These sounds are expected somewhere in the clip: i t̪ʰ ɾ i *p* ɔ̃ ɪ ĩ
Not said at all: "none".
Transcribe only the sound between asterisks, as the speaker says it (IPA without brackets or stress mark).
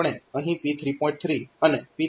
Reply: p